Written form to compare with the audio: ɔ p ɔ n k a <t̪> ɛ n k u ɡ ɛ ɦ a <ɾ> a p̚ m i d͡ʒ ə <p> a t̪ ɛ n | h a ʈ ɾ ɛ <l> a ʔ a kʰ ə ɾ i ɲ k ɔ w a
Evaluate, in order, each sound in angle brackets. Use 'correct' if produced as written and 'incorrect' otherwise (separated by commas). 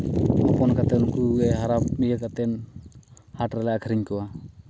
correct, correct, incorrect, correct